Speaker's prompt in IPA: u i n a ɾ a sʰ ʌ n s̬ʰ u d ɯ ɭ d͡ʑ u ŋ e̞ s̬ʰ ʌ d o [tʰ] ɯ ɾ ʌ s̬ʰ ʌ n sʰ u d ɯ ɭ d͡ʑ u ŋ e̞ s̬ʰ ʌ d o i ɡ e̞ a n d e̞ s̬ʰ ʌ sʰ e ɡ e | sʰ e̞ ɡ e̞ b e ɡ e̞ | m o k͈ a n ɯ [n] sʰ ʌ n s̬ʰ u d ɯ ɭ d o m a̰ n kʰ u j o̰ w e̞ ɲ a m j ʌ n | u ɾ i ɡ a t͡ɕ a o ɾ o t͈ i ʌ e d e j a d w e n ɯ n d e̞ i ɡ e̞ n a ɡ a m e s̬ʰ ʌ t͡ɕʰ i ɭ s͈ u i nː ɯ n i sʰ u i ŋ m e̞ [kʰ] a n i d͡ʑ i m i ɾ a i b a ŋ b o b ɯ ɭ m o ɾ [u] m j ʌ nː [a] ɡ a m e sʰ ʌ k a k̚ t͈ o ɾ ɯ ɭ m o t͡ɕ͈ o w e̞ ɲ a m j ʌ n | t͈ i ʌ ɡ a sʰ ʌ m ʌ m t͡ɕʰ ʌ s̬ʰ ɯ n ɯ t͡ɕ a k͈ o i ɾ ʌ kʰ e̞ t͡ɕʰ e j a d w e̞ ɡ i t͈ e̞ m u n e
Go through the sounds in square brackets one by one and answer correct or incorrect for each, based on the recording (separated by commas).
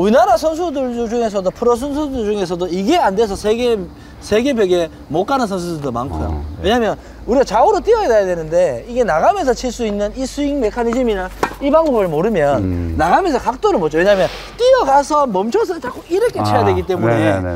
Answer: incorrect, correct, correct, incorrect, correct